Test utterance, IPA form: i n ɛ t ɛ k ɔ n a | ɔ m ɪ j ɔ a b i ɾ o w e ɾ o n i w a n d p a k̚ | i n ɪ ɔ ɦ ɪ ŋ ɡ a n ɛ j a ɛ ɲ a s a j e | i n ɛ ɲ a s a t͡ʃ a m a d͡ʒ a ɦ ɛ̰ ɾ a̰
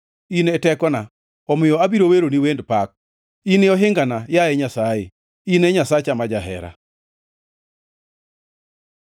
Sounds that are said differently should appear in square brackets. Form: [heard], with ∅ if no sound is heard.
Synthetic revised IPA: i n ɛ t ɛ k ɔ n a | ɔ m ɪ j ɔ a b i ɾ o w e ɾ o n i w [e] n d p a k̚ | i n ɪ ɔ ɦ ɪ ŋ ɡ a n [a] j a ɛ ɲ a s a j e | i n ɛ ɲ a s a t͡ʃ a m a d͡ʒ a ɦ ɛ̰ ɾ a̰